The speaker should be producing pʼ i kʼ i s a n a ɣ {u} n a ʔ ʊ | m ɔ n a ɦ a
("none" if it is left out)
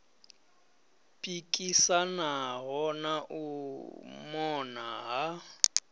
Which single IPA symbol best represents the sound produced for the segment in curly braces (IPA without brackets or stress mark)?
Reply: ɔ